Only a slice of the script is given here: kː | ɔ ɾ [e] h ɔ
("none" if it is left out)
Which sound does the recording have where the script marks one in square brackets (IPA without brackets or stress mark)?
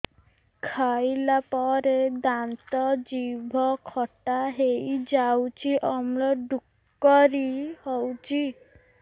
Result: i